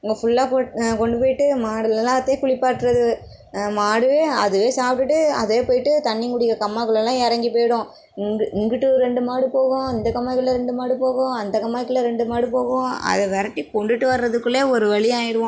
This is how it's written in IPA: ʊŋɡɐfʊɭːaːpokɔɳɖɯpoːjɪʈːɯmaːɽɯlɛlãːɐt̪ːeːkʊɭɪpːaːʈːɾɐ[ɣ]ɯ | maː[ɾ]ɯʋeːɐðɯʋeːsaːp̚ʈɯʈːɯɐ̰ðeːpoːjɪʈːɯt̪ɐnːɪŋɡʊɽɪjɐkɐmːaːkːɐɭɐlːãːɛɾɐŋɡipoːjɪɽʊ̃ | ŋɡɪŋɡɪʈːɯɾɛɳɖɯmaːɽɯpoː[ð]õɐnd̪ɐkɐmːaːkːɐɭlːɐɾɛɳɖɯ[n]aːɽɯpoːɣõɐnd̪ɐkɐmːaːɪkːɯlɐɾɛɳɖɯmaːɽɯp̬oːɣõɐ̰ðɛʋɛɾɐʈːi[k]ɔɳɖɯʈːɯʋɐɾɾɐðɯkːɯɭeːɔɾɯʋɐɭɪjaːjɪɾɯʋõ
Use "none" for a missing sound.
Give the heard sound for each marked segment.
ð, ɽ, ɣ, m, k

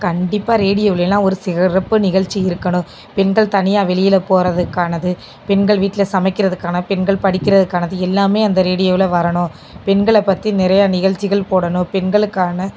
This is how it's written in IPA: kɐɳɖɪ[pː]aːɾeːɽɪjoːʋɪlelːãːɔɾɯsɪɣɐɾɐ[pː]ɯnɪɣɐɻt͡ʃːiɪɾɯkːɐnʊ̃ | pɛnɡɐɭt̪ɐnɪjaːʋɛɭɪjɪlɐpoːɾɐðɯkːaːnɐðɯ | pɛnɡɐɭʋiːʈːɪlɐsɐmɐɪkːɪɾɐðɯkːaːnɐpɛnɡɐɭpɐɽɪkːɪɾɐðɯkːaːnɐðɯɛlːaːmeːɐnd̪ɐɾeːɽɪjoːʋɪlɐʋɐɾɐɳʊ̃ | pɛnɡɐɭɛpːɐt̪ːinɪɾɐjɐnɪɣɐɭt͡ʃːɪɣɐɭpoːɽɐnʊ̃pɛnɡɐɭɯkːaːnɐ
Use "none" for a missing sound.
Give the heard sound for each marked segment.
pː, pː

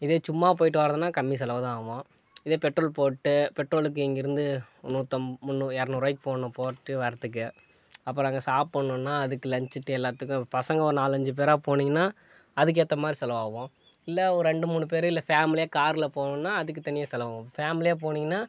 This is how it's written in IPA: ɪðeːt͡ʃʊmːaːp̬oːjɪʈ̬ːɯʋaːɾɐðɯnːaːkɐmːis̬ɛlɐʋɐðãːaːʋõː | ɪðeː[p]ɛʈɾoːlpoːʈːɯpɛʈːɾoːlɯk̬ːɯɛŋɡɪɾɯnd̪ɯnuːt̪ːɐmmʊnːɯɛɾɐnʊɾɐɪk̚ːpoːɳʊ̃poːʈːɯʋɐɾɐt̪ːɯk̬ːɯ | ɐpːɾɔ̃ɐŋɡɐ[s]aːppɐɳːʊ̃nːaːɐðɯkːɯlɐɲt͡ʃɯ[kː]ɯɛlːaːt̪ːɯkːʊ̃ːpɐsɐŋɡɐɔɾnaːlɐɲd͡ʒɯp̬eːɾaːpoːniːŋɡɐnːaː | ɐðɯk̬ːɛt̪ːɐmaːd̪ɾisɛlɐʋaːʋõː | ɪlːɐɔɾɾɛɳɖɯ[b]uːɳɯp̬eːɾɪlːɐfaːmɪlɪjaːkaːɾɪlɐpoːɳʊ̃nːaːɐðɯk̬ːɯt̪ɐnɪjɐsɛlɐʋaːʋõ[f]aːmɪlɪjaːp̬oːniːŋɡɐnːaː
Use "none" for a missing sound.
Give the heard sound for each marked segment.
p, s, ʈː, m, f

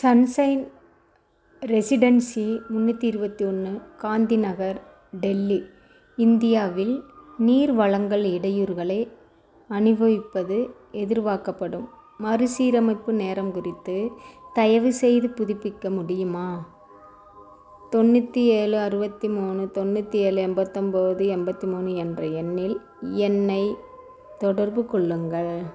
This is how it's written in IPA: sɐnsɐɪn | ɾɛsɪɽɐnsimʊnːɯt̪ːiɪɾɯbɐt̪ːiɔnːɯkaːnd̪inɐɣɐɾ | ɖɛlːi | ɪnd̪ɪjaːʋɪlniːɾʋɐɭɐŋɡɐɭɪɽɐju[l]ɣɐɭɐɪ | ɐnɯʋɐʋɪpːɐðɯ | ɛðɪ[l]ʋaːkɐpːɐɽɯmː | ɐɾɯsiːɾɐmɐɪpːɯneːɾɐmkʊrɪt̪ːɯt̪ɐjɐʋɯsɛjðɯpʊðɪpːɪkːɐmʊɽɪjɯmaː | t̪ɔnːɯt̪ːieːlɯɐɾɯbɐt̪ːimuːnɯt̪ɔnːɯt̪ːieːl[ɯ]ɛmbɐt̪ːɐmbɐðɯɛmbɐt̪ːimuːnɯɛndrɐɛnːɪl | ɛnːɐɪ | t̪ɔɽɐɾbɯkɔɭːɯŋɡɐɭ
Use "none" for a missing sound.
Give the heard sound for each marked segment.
ɾ, ɾ, ɯ

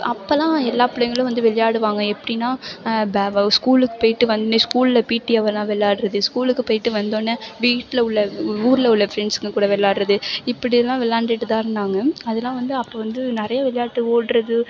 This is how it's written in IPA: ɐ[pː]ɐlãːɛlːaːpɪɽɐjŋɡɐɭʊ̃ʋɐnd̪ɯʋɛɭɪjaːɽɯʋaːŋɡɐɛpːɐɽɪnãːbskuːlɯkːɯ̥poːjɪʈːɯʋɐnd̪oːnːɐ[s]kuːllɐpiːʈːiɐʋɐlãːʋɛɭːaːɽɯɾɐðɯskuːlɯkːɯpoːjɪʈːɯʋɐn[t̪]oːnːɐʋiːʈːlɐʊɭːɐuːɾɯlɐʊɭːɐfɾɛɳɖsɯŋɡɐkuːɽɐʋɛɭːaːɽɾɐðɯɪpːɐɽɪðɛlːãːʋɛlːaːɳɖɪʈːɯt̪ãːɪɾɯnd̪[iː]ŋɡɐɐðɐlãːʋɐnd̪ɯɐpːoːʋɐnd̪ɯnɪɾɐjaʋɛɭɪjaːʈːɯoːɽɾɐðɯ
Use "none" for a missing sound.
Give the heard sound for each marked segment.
pː, s, d̪, aː

